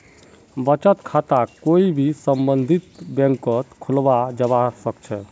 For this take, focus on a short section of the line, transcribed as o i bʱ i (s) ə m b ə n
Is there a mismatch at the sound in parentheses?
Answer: no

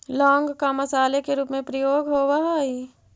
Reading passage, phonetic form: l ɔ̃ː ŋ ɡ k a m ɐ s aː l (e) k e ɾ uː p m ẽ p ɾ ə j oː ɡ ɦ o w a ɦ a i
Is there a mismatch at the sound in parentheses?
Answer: no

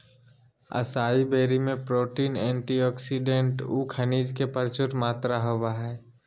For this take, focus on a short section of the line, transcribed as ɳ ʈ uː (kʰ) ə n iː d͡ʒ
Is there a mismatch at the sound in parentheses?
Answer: no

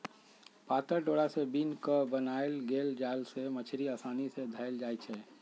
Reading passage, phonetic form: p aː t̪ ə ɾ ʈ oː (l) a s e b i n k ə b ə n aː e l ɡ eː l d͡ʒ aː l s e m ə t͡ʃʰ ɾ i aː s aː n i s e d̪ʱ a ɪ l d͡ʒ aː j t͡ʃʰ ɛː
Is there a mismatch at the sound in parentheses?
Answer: yes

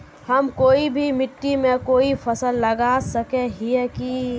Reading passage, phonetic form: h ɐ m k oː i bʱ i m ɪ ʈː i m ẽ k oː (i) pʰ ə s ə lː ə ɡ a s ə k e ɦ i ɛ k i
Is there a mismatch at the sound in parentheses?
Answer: no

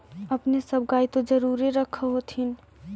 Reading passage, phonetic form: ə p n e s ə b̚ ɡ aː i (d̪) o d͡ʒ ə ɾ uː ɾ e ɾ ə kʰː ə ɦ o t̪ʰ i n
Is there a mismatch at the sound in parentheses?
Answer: yes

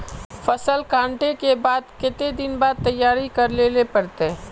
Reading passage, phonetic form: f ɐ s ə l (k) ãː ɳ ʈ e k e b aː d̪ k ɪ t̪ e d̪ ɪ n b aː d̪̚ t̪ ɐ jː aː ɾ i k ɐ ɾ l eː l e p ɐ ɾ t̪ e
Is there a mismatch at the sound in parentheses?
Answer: no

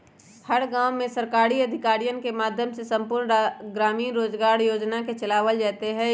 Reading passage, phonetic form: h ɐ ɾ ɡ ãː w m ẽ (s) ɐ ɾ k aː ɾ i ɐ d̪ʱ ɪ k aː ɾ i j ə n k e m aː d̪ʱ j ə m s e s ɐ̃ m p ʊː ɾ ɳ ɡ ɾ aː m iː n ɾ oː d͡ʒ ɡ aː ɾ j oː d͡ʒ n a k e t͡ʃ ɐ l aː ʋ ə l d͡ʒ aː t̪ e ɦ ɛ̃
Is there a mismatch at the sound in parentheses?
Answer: no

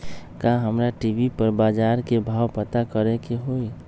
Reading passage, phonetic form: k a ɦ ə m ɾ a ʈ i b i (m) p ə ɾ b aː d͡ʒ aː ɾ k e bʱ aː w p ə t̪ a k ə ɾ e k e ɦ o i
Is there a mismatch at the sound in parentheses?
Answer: yes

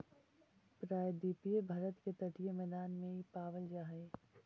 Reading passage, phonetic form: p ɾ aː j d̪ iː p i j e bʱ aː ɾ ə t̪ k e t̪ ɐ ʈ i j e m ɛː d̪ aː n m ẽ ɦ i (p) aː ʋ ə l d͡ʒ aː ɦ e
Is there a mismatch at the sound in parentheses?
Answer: no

